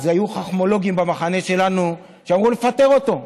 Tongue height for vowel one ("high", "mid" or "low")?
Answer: low